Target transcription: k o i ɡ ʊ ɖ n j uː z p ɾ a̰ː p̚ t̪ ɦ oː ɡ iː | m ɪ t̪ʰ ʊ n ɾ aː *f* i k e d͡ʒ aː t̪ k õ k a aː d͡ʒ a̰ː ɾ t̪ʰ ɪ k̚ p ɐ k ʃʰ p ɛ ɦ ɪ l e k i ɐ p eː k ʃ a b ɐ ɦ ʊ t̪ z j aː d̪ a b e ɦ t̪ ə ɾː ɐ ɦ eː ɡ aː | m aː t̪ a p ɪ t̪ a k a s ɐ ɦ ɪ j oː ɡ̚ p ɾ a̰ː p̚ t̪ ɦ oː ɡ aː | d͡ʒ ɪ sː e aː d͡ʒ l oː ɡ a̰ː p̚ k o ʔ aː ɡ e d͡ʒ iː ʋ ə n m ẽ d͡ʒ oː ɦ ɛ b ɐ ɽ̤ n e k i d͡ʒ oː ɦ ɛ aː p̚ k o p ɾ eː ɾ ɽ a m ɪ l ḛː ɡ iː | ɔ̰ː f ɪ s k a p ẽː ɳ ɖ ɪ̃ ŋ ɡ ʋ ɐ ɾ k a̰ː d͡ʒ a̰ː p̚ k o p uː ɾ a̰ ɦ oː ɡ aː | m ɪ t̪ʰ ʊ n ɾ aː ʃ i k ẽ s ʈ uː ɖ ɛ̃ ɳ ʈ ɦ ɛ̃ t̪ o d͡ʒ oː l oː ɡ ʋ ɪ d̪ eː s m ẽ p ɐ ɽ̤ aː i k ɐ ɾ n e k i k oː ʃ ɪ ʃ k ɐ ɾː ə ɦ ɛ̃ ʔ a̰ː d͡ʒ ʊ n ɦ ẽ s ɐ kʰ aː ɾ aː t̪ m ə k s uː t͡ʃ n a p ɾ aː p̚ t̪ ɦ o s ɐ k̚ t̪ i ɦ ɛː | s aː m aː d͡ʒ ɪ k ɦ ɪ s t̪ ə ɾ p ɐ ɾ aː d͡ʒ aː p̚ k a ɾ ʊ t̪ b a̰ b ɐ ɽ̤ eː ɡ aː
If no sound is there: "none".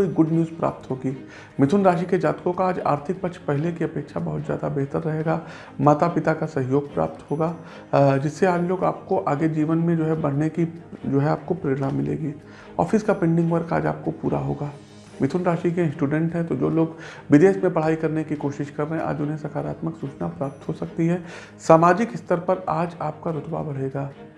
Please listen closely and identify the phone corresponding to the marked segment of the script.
ʃ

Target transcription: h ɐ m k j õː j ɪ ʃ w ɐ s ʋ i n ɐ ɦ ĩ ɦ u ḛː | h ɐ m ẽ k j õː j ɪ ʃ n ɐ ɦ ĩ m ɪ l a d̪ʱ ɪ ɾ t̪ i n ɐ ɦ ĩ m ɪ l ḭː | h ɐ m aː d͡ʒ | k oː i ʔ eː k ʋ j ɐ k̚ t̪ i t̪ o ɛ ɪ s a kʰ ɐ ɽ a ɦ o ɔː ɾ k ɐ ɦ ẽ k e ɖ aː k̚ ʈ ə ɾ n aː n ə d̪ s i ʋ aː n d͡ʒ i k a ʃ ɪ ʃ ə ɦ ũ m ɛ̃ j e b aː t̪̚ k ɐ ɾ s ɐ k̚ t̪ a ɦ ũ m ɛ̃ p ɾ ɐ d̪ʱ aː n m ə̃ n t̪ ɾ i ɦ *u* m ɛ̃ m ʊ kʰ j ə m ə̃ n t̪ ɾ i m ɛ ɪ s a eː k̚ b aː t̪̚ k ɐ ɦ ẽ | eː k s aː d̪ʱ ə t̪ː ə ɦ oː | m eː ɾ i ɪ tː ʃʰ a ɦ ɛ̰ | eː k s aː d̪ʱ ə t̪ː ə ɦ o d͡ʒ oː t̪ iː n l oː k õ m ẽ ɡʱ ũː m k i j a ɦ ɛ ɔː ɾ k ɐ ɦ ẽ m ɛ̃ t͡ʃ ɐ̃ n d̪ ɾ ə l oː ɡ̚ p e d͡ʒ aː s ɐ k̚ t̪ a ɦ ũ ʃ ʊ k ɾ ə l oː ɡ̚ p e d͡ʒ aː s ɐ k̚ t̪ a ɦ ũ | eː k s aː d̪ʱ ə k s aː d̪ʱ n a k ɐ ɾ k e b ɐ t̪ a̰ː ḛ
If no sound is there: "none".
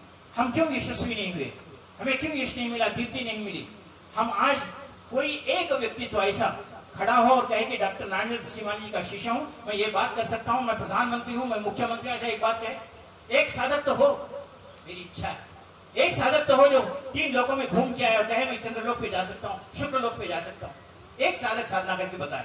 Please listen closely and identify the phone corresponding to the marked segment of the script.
ũ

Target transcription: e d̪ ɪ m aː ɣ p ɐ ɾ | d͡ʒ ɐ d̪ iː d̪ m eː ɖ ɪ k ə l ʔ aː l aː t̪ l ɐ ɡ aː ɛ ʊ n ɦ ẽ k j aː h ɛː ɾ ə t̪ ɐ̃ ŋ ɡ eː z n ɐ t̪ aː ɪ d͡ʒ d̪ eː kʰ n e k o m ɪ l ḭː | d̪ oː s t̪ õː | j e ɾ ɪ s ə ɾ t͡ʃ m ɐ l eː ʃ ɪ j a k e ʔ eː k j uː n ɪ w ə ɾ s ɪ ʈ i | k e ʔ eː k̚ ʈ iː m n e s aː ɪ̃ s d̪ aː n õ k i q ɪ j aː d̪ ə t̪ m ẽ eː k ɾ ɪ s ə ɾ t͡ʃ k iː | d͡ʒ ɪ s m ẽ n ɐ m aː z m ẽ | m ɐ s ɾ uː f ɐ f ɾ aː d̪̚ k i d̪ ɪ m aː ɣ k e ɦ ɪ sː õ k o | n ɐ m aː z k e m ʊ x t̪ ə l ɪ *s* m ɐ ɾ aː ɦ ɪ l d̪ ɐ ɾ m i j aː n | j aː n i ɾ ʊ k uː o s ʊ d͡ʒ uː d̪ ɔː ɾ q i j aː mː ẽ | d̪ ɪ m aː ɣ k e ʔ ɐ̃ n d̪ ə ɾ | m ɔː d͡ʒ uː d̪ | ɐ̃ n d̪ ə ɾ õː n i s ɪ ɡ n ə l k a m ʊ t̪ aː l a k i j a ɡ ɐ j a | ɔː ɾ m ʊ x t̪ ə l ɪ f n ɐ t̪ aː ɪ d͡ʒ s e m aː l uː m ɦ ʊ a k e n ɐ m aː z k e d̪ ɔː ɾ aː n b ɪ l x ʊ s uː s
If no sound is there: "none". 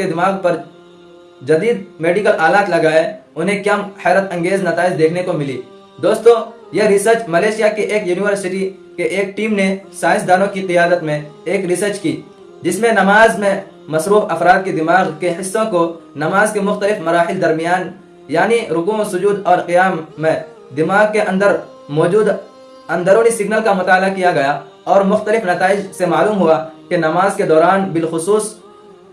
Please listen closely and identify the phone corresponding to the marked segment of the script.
f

